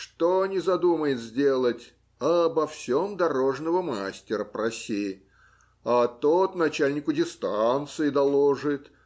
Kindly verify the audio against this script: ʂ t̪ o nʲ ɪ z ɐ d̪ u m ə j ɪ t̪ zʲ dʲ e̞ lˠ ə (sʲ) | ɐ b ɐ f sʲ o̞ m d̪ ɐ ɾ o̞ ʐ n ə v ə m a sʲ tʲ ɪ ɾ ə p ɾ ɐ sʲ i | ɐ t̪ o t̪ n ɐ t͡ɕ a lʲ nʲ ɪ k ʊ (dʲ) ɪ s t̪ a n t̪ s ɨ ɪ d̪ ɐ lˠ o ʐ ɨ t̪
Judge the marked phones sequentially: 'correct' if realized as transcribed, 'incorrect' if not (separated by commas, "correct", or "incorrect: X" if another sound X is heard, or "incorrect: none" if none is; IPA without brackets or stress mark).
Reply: incorrect: tʲ, correct